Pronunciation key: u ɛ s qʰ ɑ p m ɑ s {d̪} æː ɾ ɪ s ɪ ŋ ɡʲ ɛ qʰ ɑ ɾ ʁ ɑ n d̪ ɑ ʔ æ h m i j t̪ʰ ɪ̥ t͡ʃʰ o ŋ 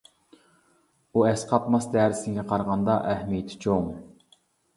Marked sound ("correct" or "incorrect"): correct